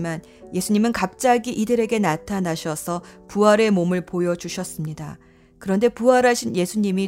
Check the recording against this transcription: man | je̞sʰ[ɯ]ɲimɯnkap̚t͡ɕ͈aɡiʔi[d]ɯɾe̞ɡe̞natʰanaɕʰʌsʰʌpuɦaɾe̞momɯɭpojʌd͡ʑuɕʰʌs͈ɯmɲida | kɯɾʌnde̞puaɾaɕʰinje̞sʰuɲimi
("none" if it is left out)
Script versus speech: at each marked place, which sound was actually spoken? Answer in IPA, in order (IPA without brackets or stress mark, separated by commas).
u, d